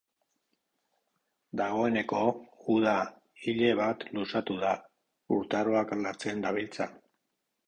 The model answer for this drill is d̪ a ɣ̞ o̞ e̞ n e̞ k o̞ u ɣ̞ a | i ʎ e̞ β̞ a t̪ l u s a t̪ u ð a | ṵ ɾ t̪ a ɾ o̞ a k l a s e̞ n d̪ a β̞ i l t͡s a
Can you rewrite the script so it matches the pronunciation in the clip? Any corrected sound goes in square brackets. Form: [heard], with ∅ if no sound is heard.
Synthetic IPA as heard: d̪ a ɣ̞ o̞ e̞ n e̞ k o̞ u [ð̞] a | i ʎ e̞ β̞ a t̪ l u s a t̪ u ð a | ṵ ɾ t̪ a ɾ o̞ a k l a [t͡s] e̞ n d̪ a β̞ i l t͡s a